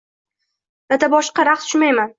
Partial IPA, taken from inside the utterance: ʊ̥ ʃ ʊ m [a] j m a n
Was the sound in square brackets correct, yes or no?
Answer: yes